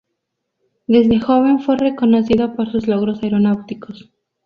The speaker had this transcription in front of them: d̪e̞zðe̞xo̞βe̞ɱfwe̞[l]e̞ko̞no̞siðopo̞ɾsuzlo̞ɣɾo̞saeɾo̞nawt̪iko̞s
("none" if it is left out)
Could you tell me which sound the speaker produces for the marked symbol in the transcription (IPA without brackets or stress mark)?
r